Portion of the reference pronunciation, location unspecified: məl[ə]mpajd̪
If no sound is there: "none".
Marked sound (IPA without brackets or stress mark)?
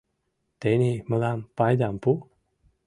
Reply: a